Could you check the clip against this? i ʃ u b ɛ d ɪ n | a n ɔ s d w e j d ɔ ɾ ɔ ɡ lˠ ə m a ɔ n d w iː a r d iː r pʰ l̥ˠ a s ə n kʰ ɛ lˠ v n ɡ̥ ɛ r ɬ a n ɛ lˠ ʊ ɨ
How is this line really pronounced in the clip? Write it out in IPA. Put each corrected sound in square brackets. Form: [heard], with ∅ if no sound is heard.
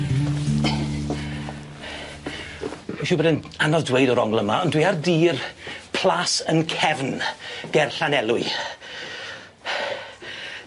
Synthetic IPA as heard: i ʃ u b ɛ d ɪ n | a n ɔ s d w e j d ɔ ɾ ɔ [ŋ] lˠ ə m a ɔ n d w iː a r d iː r pʰ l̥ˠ a s ə n kʰ ɛ [∅] v n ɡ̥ ɛ r ɬ a n ɛ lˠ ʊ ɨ

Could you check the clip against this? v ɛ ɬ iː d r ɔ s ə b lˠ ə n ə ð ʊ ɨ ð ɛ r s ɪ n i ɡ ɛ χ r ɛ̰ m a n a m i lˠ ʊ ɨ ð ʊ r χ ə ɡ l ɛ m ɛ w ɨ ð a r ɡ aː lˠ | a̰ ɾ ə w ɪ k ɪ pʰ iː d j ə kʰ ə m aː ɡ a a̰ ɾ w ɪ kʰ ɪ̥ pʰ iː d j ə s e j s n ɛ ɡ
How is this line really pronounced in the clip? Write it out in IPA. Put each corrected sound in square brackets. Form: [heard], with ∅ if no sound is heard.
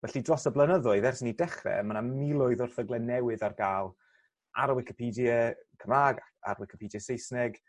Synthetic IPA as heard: v ɛ ɬ [i] d r ɔ s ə b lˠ ə n ə ð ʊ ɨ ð ɛ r s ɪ n i [d] ɛ χ r ɛ̰ m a n a m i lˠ ʊ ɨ ð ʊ r [θ] ə ɡ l ɛ [n] ɛ w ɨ ð a r ɡ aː lˠ | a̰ ɾ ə w ɪ k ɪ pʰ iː d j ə kʰ ə m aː ɡ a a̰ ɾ w ɪ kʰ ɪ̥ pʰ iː d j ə s e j s n ɛ ɡ

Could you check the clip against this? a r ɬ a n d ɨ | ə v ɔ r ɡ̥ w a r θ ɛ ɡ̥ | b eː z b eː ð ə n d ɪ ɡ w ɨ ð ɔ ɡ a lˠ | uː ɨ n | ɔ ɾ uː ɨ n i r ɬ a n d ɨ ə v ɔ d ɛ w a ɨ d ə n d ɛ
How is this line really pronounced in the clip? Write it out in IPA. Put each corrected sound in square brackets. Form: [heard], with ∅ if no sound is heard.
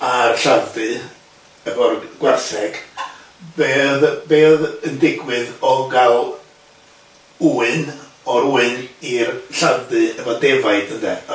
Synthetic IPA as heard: a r ɬ a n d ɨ | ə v ɔ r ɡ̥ w a r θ ɛ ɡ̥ | b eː [ð] b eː ð ə n d ɪ ɡ w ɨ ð ɔ ɡ a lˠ | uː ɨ n | ɔ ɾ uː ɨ n i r ɬ a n d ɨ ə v ɔ d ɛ [v] a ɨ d ə n d ɛ

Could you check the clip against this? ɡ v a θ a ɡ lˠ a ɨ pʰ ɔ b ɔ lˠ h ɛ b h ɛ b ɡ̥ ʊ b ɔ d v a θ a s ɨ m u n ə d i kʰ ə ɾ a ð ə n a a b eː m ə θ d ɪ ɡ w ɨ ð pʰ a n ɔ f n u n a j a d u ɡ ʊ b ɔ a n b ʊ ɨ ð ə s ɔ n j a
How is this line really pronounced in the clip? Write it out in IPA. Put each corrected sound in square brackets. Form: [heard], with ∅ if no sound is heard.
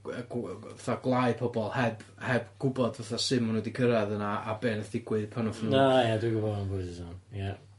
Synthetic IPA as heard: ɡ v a θ a ɡ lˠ a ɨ pʰ ɔ b ɔ lˠ h ɛ b h ɛ b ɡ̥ ʊ b ɔ d v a θ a s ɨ m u n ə d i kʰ ə ɾ a ð ə n a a b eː [n] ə θ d ɪ ɡ w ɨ ð pʰ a n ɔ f n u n a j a d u ɡ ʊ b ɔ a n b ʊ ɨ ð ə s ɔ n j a

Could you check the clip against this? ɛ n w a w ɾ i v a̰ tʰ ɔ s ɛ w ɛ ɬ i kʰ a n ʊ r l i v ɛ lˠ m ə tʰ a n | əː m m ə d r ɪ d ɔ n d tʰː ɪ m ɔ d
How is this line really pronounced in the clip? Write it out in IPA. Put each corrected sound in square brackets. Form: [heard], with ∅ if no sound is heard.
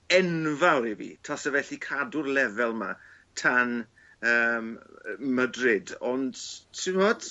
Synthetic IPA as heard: ɛ n [v] a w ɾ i v [ḭ] tʰ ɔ s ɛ [v] ɛ ɬ i kʰ a [d] ʊ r l [ɛ] v ɛ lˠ m [a] tʰ a n | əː m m ə d r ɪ d ɔ n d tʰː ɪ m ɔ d

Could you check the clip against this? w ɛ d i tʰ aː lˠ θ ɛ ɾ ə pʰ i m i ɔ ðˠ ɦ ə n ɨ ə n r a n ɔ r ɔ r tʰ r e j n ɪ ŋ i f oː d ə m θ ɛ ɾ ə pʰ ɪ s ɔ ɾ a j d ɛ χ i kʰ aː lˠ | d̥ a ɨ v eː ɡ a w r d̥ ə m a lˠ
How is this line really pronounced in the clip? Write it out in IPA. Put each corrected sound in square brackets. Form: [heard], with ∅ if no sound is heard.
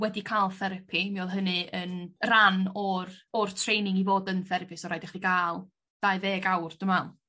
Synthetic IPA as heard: w ɛ d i [kʰ] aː lˠ θ ɛ ɾ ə pʰ i m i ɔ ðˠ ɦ ə n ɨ ə n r a n ɔ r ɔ r tʰ r e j n ɪ ŋ i [v] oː d ə [n] θ ɛ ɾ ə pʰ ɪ s ɔ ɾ a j d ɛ χ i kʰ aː lˠ | d̥ a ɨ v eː ɡ a w r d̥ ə m a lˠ

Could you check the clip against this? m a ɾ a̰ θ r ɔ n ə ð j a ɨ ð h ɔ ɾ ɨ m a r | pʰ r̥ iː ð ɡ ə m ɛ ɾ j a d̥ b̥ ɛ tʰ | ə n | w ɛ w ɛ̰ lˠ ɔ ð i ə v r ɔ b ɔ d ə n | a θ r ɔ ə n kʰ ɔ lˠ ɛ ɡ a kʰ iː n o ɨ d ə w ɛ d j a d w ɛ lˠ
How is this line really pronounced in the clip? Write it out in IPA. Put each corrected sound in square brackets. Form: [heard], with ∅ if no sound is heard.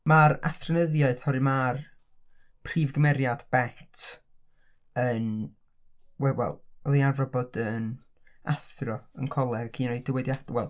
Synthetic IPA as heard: m a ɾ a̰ θ r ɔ n ə ð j a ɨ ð h ɔ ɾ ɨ m a r | pʰ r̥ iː [v] ɡ ə m ɛ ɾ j a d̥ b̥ ɛ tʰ | ə n | w ɛ w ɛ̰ lˠ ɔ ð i [a] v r ɔ b ɔ d ə n | a θ r ɔ ə n kʰ ɔ lˠ ɛ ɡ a kʰ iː n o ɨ d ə w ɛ d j a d w ɛ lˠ

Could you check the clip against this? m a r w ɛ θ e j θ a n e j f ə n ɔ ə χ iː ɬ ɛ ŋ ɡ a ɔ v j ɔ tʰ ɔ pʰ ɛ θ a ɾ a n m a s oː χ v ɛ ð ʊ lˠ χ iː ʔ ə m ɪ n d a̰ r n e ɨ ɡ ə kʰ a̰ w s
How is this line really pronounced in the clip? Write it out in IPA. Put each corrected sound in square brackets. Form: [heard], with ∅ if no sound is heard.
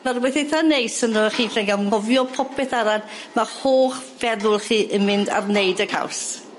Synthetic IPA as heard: m a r w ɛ θ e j θ a n e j [s] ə n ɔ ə χ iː ɬ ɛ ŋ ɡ a ɔ v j ɔ [pʰ] ɔ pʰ ɛ θ a ɾ a n m a [h] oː χ v ɛ ð ʊ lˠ χ iː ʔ ə m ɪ n d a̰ r n e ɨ [d] ə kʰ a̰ w s

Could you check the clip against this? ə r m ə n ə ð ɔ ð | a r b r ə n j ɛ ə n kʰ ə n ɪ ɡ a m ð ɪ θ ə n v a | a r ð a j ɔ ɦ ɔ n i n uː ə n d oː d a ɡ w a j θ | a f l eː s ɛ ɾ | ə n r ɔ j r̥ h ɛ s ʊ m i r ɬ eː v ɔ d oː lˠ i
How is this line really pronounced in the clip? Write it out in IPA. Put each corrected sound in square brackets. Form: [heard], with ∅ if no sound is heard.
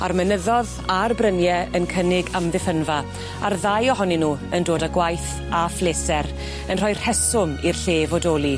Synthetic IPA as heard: [a] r m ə n ə ð ɔ ð | a r b r ə n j ɛ ə n kʰ ə n ɪ ɡ a m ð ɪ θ ə n v a | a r ð a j ɔ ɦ ɔ n i n uː ə n d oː d a ɡ w a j θ | a f l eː s ɛ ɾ | ə n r ɔ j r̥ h ɛ s ʊ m i r ɬ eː v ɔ d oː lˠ i

